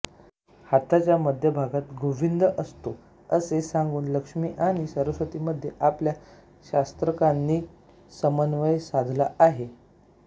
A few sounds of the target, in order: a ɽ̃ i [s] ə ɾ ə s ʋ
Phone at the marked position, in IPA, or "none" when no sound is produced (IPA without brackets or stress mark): s